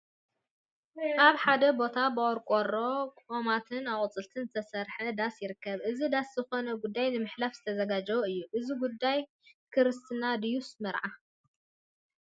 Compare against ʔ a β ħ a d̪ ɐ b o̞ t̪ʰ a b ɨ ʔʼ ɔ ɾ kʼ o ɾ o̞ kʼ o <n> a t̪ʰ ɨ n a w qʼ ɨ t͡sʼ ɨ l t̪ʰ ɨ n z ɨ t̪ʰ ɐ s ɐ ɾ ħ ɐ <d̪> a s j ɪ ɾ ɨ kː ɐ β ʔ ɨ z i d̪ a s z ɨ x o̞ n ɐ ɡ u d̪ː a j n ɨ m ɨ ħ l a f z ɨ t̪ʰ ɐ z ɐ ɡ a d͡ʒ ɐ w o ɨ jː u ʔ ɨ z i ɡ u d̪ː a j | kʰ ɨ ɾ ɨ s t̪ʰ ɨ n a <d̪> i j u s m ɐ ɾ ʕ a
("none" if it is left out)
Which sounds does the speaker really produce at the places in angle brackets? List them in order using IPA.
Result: m, d̪, d̪

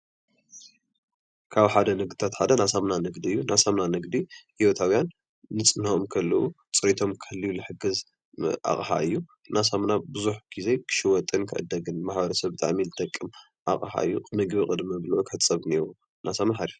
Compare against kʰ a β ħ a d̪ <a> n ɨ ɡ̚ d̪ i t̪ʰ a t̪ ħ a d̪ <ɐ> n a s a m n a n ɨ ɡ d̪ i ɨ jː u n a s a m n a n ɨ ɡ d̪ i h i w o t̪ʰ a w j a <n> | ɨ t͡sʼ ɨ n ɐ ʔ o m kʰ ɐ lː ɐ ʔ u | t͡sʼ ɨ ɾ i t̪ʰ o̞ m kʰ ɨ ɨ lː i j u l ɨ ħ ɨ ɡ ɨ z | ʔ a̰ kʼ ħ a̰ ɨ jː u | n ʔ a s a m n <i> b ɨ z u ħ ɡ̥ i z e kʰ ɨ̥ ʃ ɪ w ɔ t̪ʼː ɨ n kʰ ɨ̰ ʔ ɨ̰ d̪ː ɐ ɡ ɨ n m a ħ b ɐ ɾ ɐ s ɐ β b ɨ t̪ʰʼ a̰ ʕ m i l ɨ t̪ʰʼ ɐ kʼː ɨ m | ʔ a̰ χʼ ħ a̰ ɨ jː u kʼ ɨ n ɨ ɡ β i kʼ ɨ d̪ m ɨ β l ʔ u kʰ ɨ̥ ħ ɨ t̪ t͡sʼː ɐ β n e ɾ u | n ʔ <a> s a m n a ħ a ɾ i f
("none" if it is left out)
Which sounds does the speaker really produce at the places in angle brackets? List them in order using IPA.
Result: ɐ, ɐ, nː, a, a

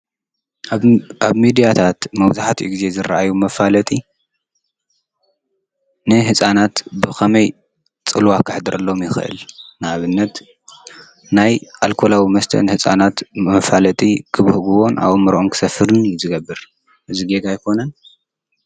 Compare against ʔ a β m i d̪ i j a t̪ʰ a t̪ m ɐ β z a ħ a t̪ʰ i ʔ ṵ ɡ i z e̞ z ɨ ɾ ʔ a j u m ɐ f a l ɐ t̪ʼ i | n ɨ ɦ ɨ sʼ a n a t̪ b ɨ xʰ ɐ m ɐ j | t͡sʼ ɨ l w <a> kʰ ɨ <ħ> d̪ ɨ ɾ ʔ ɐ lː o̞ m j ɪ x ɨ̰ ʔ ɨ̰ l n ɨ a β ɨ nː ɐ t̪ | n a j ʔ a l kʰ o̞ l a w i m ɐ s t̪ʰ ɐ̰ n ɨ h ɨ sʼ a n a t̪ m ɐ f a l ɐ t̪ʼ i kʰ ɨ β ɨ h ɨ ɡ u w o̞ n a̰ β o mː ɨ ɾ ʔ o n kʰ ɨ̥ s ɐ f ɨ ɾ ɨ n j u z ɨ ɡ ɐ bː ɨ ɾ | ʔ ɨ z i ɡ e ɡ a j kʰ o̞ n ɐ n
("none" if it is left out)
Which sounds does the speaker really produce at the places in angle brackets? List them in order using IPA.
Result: a, ħ

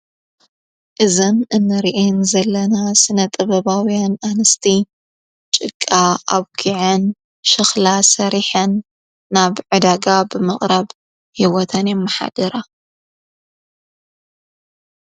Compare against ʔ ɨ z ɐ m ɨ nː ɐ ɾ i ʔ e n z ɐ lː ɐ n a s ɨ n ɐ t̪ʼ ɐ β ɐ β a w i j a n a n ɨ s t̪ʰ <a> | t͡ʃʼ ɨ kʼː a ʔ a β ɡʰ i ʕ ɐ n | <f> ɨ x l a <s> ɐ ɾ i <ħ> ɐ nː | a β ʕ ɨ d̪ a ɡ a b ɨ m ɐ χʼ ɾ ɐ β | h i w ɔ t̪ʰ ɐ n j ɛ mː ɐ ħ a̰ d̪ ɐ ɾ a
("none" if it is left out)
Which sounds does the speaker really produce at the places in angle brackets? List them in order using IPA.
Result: i, ʃ, s, ħ

